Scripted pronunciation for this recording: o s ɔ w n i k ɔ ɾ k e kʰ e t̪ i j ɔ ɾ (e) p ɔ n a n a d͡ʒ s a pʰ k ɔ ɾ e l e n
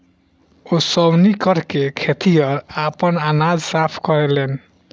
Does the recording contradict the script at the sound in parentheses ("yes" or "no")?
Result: yes